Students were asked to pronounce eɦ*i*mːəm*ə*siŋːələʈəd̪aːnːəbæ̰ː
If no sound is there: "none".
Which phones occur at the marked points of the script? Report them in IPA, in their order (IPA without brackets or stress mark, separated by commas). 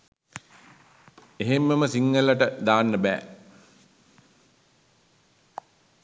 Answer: e, ə